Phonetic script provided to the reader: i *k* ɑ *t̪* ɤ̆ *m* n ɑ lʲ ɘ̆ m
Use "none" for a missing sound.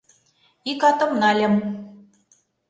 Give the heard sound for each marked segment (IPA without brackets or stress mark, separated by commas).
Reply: k, t̪, m